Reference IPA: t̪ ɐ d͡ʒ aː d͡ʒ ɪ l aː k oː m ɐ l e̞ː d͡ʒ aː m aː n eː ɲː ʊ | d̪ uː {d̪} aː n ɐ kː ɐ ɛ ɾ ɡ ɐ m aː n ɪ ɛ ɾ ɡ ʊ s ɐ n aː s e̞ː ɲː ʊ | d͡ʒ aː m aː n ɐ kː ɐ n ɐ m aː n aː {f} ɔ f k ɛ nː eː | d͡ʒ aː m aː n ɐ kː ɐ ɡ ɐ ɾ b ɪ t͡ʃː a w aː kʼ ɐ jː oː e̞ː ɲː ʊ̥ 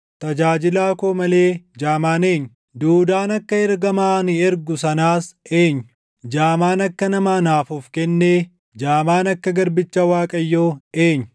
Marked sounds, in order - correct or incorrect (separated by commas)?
correct, correct